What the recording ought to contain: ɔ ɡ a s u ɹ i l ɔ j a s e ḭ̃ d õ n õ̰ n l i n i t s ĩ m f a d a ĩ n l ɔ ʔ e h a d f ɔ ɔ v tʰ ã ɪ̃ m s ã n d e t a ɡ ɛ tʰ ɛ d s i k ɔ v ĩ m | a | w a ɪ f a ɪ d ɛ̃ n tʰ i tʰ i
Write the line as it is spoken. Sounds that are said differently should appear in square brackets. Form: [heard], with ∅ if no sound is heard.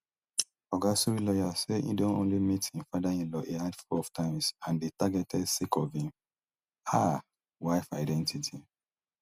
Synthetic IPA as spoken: ɔ ɡ a s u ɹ i l ɔ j a s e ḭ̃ d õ n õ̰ n l i [m] i t [h] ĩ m f a d a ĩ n l ɔ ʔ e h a d f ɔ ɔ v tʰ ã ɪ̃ m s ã n d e t a ɡ ɛ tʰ ɛ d s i k ɔ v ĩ m | a | w a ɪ f a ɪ d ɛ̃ n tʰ i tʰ i

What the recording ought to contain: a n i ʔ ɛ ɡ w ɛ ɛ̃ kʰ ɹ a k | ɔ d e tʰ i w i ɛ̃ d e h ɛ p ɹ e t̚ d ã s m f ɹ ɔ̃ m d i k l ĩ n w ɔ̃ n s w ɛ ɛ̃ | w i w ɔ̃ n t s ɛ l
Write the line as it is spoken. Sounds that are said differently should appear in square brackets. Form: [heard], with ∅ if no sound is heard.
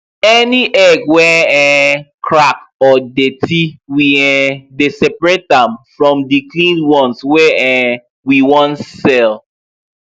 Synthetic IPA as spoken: [ɛ] n i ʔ ɛ ɡ w ɛ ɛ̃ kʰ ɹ a k | ɔ d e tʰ i w i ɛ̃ d e [s] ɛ p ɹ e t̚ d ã [∅] m f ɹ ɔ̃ m d i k l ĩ n w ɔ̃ n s w ɛ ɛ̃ | w i w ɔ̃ n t s ɛ l

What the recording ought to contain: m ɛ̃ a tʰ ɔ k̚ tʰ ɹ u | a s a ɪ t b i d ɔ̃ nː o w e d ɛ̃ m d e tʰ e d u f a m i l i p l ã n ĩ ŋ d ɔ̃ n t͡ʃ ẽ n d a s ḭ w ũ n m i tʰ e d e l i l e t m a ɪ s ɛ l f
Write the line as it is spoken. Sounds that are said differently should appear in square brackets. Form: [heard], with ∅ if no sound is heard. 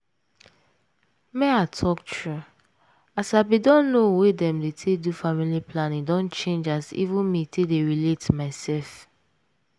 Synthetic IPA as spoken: m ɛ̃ a tʰ ɔ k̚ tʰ ɹ u | a s a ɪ [∅] b i d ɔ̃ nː o w e d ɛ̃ m d e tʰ e d u f a m i l i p l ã n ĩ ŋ d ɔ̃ n t͡ʃ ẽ n [d͡ʒ] a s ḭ [v] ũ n m i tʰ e d e [ɹ] i l e t m a ɪ s ɛ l f

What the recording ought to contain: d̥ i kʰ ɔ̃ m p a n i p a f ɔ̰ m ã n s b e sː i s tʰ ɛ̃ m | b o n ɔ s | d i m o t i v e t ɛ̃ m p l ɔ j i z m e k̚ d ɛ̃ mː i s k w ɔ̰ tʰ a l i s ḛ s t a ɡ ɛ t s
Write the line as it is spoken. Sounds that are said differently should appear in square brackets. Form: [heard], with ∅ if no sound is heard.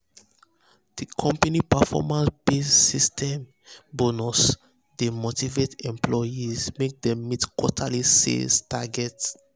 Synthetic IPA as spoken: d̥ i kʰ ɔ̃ m p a n i p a f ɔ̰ m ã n s b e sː i s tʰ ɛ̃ m | b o n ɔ s | d [e] m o t i v e t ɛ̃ m p l ɔ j i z m e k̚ d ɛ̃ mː i [t] k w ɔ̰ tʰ a l i s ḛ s t a ɡ ɛ t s

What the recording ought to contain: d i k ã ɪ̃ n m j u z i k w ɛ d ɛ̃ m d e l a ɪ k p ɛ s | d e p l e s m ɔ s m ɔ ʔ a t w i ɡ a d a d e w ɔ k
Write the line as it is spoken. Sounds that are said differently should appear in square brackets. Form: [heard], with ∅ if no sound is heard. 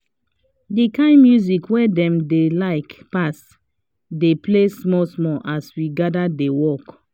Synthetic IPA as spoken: d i k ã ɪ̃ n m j u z i k w ɛ d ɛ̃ m d e l a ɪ k p [a] s | d e p l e s m ɔ s m ɔ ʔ a [s] w i ɡ a d a d e w ɔ k

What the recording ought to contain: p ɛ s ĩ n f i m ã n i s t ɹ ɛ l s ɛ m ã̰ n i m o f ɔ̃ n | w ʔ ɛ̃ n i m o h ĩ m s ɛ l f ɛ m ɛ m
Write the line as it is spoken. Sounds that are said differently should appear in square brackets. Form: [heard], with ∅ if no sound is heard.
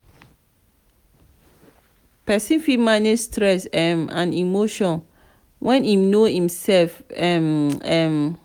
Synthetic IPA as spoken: p ɛ s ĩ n f i m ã n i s t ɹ ɛ [∅] s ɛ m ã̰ n i m o [ʃ] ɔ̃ n | w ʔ ɛ̃ n i [n] o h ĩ m s ɛ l f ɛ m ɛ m

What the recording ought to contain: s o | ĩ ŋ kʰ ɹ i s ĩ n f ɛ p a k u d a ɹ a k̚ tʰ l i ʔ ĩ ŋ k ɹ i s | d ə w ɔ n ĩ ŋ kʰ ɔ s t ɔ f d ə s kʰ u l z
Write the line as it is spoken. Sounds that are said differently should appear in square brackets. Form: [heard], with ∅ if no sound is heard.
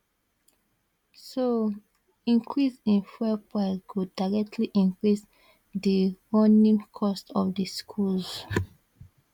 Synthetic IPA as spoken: s o | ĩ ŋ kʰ ɹ i s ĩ n f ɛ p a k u d a ɹ [ɛ] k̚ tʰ l i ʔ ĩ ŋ k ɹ i s | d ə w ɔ n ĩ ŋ kʰ ɔ s t ɔ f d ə s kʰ u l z

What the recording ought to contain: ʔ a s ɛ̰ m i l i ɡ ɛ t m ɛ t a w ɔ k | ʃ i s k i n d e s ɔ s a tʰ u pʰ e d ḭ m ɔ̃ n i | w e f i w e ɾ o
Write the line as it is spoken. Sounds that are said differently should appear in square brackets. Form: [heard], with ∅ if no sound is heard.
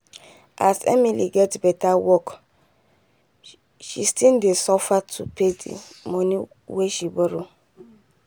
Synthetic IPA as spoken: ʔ a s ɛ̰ m i l i ɡ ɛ t [b] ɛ t a w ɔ k | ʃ i s [t] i n d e s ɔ [f] a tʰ u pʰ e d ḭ m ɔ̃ n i | w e [ʃ] i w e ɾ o

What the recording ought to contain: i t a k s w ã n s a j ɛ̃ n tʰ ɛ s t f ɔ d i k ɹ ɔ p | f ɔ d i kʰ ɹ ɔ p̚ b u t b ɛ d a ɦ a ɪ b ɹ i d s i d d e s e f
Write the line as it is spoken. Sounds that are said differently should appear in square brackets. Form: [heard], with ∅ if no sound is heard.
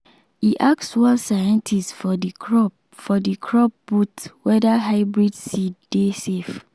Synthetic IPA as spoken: i [ʔ] a k s w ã n s a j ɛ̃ n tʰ [i] s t f ɔ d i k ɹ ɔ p | f ɔ d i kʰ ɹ ɔ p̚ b u t [w] ɛ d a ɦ a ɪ b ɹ i d s i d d e s e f

